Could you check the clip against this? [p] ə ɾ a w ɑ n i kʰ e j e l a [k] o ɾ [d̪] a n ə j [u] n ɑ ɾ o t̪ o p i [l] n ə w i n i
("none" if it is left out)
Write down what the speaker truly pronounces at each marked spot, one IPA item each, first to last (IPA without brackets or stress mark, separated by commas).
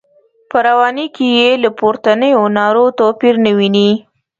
p, p, t̪, o, ɾ